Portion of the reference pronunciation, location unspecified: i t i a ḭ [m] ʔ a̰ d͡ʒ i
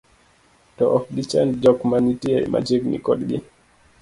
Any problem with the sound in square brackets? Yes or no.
no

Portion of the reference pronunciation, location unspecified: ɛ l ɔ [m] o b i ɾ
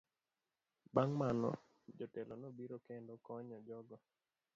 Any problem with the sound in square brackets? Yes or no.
yes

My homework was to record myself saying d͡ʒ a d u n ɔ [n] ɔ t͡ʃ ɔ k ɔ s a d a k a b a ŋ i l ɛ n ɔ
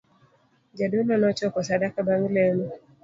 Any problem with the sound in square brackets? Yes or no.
no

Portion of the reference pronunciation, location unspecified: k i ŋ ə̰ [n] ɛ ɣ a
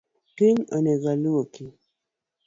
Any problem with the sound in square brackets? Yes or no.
no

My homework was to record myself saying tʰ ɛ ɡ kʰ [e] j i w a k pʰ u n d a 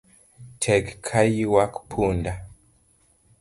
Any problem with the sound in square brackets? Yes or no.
yes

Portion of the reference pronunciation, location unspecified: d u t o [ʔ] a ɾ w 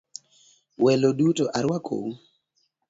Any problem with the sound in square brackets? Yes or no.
no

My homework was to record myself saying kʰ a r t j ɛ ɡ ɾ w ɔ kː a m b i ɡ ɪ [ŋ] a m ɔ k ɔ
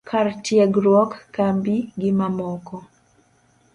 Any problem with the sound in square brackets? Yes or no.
yes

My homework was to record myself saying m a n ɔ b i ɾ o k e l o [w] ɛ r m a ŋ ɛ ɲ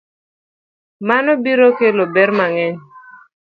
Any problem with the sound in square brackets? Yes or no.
yes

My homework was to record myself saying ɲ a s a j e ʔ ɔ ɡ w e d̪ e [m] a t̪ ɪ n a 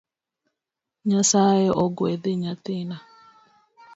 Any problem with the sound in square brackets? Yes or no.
yes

